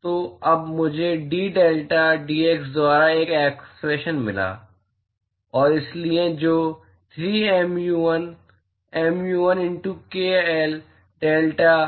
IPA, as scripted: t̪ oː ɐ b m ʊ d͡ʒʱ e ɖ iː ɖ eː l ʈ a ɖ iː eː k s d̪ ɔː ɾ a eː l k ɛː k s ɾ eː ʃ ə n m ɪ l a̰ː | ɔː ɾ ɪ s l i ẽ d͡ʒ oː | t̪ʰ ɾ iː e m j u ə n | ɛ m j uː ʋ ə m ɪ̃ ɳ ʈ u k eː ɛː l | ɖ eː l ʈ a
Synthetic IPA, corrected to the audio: t̪ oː ɐ b m ʊ d͡ʒʱ e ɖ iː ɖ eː l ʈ a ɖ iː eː k s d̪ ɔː ɾ a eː k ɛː k s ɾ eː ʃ ə n m ɪ l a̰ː | ɔː ɾ ɪ s l i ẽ d͡ʒ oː | t̪ʰ ɾ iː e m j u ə n | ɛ m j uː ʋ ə n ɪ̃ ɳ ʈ u k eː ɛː l | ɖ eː l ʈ a